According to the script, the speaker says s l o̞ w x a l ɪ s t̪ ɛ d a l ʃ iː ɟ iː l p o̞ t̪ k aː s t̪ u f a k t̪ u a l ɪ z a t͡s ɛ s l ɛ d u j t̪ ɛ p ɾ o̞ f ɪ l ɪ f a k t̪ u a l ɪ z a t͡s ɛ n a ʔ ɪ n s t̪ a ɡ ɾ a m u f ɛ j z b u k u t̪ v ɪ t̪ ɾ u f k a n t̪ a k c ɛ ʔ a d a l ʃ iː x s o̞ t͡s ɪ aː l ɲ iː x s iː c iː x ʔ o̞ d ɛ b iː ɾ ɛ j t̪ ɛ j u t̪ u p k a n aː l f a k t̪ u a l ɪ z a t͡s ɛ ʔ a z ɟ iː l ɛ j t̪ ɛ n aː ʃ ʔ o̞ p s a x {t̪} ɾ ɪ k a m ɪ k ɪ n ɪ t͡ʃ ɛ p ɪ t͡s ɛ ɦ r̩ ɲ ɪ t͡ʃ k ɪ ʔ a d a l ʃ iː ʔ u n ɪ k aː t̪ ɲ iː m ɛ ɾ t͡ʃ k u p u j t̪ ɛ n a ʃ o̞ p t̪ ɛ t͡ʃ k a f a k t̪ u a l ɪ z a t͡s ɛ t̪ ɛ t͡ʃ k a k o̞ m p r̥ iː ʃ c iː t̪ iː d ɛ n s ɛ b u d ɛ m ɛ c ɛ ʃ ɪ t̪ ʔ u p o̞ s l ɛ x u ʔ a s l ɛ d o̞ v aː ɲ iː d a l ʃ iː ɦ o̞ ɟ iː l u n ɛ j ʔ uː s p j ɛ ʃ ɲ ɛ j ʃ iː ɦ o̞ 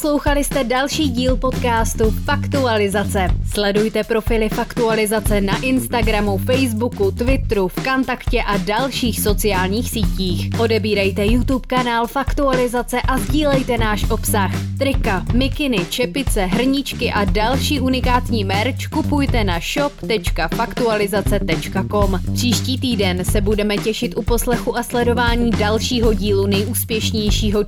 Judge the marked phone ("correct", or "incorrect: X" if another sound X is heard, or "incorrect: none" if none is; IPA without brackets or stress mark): correct